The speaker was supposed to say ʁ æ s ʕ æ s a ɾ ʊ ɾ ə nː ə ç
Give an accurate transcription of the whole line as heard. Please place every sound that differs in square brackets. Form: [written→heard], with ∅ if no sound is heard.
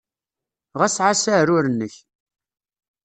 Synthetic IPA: ʁ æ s ʕ [æ→a] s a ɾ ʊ ɾ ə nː ə ç